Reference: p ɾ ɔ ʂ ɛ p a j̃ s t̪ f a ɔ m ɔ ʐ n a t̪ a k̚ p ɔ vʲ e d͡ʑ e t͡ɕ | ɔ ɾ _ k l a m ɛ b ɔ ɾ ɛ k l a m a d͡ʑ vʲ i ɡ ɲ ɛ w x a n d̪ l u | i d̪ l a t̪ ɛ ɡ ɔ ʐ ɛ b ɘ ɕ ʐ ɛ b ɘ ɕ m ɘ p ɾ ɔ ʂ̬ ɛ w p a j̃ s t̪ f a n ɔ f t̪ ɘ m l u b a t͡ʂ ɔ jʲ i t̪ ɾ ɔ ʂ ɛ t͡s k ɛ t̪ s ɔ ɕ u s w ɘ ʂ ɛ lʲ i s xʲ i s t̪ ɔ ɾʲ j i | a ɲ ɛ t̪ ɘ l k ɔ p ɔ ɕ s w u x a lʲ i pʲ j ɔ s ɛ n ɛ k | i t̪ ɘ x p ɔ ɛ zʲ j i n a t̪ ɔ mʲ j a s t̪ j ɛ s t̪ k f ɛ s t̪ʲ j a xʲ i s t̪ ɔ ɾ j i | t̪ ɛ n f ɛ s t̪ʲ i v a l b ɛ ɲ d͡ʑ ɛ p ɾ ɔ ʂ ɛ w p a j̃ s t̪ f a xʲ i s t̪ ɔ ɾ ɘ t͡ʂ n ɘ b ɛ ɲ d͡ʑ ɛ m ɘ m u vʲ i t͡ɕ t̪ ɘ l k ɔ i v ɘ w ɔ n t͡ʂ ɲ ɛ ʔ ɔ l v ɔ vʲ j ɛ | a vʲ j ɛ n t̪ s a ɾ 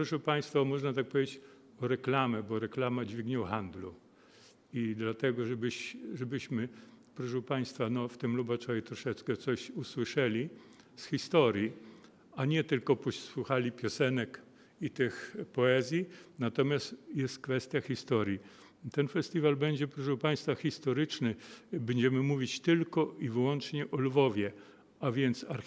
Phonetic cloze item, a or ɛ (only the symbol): ɛ